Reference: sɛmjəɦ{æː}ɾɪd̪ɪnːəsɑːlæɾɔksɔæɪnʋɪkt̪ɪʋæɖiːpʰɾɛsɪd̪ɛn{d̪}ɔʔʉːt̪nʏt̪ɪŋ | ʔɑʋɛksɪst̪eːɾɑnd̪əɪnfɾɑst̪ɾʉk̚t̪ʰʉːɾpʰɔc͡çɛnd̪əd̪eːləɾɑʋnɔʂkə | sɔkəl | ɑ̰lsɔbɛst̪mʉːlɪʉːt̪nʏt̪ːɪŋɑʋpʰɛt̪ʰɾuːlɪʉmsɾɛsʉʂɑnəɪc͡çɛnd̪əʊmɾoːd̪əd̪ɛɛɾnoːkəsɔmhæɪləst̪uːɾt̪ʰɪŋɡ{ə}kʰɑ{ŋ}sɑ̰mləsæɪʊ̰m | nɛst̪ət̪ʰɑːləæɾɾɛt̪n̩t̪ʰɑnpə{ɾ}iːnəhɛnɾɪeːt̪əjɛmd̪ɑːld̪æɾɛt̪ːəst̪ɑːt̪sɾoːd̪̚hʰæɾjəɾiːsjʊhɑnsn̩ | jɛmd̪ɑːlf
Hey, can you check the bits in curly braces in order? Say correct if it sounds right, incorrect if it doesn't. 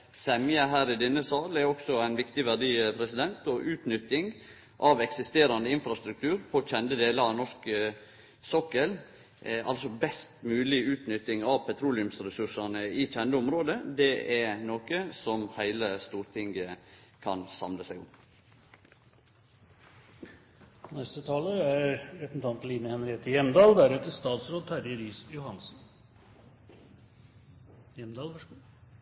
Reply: correct, incorrect, correct, incorrect, incorrect

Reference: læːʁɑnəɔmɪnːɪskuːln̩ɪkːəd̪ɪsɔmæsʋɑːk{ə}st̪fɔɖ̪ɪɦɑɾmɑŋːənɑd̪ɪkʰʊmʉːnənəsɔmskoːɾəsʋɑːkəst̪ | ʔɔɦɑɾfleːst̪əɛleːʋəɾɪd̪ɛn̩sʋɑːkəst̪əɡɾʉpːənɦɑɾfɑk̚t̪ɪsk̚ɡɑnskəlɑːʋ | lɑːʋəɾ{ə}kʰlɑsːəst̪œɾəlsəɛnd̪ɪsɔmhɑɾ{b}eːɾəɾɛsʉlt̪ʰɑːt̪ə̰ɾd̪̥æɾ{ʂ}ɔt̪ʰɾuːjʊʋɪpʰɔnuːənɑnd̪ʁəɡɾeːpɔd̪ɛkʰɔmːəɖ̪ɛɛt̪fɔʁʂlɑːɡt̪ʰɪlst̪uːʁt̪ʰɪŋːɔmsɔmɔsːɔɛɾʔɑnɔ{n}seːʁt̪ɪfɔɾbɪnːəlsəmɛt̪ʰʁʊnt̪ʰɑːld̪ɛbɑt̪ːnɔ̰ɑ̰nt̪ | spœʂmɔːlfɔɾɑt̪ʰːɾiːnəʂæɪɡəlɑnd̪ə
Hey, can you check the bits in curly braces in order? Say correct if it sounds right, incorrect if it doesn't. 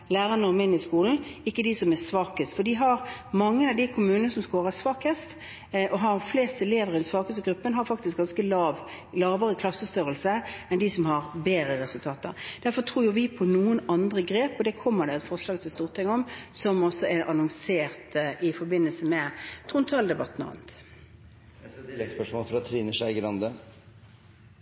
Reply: correct, correct, correct, incorrect, incorrect

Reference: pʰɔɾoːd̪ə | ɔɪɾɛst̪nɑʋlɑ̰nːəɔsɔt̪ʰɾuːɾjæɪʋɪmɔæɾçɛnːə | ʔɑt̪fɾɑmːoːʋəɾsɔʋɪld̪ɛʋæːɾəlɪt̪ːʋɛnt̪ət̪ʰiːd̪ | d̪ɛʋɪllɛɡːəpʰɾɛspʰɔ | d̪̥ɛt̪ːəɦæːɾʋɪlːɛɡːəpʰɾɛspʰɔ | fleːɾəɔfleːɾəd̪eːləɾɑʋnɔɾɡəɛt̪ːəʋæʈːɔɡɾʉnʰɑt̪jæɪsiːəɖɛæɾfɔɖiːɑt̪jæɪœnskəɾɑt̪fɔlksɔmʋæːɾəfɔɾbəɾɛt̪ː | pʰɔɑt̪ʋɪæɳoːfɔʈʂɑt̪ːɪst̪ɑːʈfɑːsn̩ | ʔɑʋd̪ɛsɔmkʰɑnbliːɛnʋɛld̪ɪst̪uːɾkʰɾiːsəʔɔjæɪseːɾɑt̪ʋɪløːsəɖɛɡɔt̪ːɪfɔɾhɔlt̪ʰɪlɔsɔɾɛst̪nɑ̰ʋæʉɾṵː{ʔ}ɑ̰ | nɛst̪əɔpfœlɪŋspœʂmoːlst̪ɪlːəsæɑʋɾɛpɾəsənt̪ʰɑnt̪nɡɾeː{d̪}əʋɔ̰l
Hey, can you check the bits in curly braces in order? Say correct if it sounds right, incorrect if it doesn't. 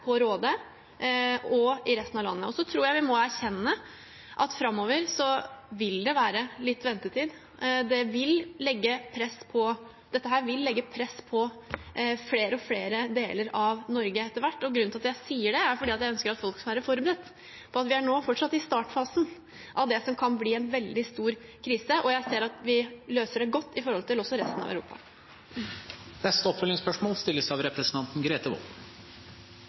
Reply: incorrect, incorrect

